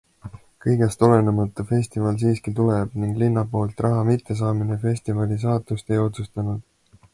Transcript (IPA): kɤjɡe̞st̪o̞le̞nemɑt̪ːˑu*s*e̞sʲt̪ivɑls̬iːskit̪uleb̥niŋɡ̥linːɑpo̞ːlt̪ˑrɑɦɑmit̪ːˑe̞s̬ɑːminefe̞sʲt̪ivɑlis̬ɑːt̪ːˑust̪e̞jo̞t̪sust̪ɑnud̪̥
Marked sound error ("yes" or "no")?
yes